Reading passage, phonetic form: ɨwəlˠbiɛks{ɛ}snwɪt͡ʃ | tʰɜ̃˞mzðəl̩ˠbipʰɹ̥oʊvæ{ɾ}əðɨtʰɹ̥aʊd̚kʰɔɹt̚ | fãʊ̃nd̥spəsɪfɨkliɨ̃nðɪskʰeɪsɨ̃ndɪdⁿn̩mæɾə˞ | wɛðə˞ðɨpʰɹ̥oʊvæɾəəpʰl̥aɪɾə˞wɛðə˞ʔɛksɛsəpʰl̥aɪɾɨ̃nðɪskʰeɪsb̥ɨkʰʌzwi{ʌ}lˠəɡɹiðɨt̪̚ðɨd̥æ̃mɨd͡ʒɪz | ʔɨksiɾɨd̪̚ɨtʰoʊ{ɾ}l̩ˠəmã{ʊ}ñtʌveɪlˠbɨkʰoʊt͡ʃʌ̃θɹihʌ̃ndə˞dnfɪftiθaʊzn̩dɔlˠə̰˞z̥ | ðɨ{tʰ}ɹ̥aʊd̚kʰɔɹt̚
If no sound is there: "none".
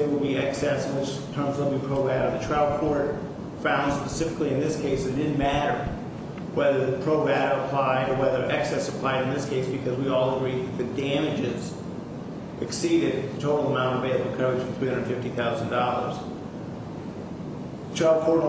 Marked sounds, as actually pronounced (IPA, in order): ɛ, ɾ, ɔ, ɾ, ʊ̃, tʰ

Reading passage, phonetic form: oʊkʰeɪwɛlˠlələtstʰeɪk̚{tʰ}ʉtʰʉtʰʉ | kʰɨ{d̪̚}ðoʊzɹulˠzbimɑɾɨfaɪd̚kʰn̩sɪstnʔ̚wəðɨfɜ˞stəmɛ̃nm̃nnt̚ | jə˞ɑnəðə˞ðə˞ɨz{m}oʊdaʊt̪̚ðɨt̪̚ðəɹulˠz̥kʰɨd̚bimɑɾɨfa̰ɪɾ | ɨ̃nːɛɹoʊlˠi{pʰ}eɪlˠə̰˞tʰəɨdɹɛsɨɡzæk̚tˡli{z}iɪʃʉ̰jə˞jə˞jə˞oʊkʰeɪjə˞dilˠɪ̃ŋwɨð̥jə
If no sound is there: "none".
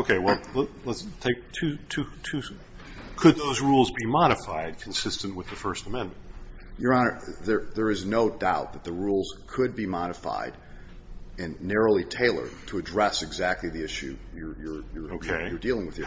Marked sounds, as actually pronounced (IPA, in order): tʰ, d̪̚, n, tʰ, ð

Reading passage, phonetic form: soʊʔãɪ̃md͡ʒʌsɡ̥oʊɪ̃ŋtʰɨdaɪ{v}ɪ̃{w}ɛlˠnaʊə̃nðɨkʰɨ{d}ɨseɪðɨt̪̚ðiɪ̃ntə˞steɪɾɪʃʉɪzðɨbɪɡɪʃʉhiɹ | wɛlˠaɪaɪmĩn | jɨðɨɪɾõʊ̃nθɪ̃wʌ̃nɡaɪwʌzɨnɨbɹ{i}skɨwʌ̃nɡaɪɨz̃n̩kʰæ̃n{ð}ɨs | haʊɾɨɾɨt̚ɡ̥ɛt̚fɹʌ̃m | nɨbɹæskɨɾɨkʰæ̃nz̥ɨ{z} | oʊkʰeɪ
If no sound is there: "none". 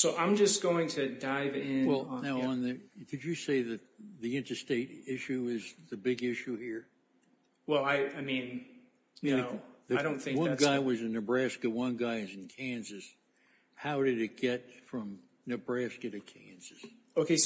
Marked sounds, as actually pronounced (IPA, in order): v, w, d͡ʒ, æ, z, s

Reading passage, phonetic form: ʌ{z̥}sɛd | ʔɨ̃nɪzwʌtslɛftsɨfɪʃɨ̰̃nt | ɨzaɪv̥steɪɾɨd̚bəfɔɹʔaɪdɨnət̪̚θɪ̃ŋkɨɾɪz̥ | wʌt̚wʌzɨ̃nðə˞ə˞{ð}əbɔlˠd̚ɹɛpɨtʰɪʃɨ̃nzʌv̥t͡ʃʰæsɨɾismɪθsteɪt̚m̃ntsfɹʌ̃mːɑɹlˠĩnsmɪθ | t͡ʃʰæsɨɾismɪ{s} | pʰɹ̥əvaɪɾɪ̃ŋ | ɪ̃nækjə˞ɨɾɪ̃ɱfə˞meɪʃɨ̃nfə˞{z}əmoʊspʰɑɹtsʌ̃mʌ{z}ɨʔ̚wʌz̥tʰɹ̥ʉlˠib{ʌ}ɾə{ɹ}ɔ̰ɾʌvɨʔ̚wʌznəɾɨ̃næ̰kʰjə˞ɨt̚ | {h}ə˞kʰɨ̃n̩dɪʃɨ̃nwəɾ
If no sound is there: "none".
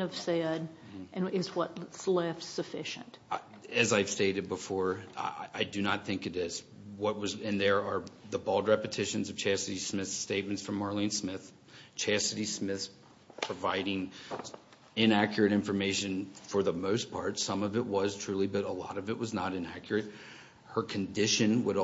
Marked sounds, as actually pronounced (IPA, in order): v̥, ð, θ, ð, v, ʌ, l, h

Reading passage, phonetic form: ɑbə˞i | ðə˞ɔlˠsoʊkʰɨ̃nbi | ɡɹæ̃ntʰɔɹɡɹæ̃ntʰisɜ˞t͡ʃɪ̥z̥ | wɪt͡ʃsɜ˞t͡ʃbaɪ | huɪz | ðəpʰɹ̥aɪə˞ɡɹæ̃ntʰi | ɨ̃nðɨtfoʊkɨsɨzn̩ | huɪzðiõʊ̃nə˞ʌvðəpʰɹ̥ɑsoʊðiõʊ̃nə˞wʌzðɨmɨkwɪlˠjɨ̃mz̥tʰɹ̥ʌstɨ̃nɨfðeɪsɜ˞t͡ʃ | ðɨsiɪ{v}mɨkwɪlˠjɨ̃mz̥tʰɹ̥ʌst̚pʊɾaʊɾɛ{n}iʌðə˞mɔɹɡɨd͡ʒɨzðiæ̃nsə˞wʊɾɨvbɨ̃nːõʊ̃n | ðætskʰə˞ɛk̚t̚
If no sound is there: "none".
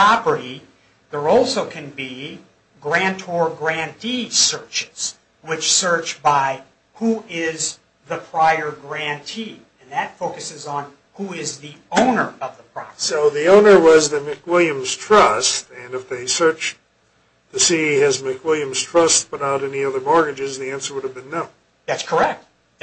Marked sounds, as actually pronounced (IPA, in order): z, n

